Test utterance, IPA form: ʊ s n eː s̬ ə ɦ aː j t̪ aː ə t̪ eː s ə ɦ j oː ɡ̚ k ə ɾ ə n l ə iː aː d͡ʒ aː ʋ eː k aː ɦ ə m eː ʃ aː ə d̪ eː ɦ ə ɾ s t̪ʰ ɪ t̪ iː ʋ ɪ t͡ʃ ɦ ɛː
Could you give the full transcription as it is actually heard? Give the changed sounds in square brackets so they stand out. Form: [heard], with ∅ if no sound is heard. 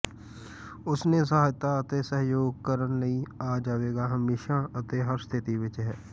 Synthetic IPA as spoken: ʊ s n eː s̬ ə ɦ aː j t̪ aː ə t̪ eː s ə ɦ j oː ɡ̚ k ə ɾ ə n l ə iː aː d͡ʒ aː ʋ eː [ɡ] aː ɦ ə m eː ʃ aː ə [t̪] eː ɦ ə ɾ s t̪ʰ ɪ t̪ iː ʋ ɪ t͡ʃ ɦ ɛː

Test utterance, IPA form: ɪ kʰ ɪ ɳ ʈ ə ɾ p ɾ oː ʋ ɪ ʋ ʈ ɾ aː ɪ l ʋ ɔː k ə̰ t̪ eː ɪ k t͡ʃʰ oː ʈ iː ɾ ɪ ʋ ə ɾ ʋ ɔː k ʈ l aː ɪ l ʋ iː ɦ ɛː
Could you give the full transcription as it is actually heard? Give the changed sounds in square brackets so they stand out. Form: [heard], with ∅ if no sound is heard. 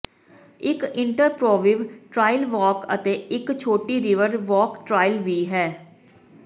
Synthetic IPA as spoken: ɪ [k] ɪ ɳ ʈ ə ɾ p ɾ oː ʋ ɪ ʋ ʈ ɾ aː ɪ l ʋ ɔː k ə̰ t̪ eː ɪ k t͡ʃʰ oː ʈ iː ɾ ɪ ʋ ə ɾ ʋ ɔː k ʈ [ɾ] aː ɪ l ʋ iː ɦ ɛː

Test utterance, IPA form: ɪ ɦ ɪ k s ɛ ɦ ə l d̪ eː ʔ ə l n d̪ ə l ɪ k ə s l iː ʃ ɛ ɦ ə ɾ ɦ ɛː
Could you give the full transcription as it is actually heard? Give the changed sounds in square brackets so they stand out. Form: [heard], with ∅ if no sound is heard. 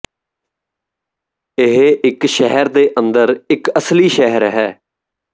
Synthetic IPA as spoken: ɪ ɦ ɪ k [ʃ] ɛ ɦ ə [ɾ] d̪ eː ʔ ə [∅] n d̪ ə [ɾ] ɪ k ə s l iː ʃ ɛ ɦ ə ɾ ɦ ɛː

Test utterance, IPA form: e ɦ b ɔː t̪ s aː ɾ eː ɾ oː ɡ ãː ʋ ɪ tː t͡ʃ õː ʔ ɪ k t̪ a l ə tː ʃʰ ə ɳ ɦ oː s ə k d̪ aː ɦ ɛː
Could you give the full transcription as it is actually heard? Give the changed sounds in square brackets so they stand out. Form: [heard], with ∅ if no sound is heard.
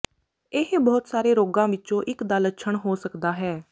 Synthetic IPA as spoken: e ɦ b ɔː t̪ s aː ɾ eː ɾ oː ɡ ãː ʋ ɪ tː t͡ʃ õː ʔ ɪ k [d̪] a l ə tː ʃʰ ə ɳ ɦ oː s ə k d̪ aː ɦ ɛː

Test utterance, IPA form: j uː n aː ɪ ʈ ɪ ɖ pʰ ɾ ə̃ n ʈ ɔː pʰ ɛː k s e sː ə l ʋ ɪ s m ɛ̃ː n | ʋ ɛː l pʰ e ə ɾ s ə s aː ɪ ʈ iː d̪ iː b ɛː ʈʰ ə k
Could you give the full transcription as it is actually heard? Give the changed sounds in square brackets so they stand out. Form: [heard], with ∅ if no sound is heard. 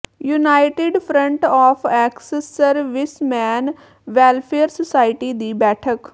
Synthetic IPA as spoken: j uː n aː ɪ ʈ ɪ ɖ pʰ ɾ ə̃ [ɳ] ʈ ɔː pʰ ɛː k s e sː ə [ɾ] ʋ ɪ s m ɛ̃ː n | ʋ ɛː l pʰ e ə ɾ s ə s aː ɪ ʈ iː d̪ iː b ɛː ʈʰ ə k

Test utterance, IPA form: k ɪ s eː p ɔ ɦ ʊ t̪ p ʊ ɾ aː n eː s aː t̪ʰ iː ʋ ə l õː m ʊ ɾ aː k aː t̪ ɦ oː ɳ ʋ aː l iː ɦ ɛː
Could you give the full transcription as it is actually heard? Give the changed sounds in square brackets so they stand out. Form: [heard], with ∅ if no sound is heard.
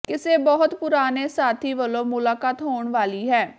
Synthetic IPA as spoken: k ɪ s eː [b] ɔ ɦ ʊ t̪ p ʊ ɾ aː n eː s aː t̪ʰ iː ʋ ə l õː m ʊ [l] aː k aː t̪ ɦ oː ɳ ʋ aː l iː ɦ ɛː

